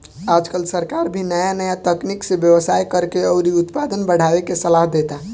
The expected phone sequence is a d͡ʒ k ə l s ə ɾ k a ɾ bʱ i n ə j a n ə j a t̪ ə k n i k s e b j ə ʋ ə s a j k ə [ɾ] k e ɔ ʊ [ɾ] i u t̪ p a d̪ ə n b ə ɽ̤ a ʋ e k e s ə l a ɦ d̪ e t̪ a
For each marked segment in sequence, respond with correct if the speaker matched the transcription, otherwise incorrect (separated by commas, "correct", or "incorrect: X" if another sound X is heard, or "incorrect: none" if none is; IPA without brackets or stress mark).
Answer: correct, correct